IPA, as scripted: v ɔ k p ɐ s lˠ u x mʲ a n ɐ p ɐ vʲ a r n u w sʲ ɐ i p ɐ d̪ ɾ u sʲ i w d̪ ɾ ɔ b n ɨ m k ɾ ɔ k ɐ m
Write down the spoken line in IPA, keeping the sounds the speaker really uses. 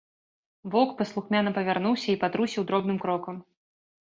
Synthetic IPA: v ɔ k p ɐ s lˠ u x mʲ a n ɐ p ɐ vʲ a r n u w sʲ ɐ i p a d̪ ɾ u sʲ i w d̪ ɾ ɔ b n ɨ m k ɾ ɔ k ɐ m